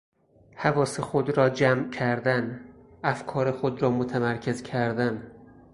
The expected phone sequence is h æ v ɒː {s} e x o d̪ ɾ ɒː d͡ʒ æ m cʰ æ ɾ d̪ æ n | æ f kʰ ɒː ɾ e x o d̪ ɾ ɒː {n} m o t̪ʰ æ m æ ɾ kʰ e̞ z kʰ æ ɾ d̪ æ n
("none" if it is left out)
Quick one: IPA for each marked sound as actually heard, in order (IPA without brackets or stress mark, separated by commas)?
s, none